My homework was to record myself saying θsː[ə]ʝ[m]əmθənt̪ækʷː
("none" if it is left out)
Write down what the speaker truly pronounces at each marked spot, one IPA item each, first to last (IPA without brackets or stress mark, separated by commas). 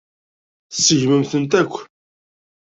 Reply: ə, m